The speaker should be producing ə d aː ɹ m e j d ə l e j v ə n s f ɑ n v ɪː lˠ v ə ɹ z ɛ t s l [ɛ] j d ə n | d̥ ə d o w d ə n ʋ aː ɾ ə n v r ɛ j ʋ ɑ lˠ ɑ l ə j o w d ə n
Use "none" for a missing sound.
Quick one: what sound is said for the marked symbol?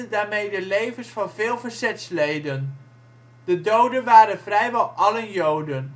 e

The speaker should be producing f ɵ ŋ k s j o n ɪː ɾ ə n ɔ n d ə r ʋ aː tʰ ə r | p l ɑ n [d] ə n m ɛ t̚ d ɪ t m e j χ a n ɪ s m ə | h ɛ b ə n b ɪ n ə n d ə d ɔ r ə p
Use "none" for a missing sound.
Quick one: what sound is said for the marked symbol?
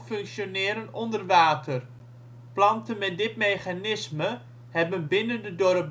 t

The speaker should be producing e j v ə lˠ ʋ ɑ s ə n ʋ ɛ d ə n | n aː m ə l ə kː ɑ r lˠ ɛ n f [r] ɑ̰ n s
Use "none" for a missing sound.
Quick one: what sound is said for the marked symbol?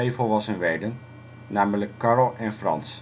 r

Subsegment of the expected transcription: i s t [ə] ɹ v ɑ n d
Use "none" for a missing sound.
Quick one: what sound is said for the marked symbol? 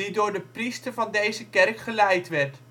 ə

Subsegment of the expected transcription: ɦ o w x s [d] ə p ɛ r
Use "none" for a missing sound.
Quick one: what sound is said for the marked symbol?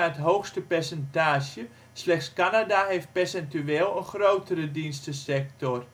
t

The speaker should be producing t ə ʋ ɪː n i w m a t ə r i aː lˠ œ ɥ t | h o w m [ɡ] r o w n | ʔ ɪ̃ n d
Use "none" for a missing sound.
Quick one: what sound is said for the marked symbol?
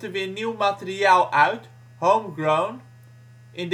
ɡ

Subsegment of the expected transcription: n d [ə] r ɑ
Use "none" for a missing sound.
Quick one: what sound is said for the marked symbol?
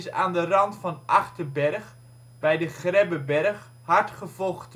ə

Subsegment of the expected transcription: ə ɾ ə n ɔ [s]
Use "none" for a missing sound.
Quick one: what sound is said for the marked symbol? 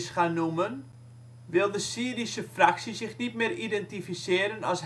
s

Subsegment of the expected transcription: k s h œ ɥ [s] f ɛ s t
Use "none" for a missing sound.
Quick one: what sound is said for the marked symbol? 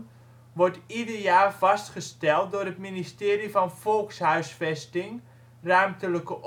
s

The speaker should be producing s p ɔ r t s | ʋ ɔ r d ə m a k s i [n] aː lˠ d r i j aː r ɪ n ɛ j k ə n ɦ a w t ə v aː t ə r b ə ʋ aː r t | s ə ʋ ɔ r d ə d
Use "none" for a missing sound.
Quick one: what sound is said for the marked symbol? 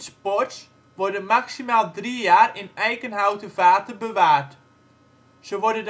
m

